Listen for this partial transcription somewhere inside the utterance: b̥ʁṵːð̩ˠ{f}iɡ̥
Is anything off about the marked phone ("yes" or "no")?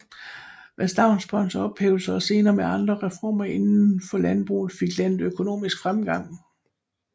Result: no